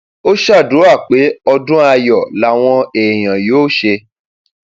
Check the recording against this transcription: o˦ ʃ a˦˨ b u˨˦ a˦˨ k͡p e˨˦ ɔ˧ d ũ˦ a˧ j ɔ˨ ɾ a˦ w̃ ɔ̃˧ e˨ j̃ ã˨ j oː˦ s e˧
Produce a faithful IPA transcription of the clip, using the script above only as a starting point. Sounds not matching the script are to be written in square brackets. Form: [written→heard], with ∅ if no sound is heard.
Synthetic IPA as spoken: o˦ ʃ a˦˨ [b→d] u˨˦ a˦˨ k͡p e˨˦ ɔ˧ d ũ˦ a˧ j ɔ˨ [ɾ→l] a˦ w̃ ɔ̃˧ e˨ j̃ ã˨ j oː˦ [s→ʃ] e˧